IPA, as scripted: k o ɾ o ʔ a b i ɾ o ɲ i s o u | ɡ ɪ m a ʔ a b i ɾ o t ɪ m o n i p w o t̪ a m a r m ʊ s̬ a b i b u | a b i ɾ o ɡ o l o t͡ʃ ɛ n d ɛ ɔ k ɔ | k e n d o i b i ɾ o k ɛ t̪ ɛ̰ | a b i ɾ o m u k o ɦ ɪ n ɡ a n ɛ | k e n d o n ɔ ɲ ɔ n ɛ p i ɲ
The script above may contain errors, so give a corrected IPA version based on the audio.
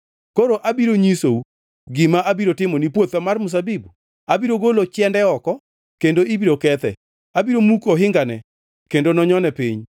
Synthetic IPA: k o ɾ o ʔ a b i ɾ o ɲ i s o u | ɡ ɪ m a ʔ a b i ɾ o t ɪ m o n i p w o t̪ a m a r m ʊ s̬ a b i b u | a b i ɾ o ɡ o l o t͡ʃ ɛ n d ɛ ɔ k ɔ | k e n d o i b i ɾ o k ɛ t̪ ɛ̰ | a b i ɾ o m u k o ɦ ɪ ŋ ɡ a n ɛ | k e n d o n ɔ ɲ ɔ n ɛ p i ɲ